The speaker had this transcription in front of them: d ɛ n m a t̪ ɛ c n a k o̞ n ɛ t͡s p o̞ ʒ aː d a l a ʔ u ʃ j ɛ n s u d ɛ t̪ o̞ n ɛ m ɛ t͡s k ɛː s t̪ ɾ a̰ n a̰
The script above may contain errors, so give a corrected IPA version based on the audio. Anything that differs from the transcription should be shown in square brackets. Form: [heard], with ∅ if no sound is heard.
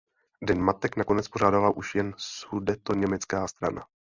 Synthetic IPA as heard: d ɛ n m a t̪ ɛ [k] n a k o̞ n ɛ t͡s p o̞ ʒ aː d a l a ʔ u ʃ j ɛ n s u d ɛ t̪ o̞ [ɲ] ɛ m ɛ t͡s k [aː] s t̪ ɾ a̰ n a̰